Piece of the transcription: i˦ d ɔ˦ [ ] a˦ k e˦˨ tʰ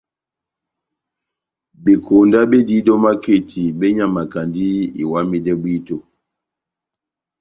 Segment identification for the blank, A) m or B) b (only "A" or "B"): A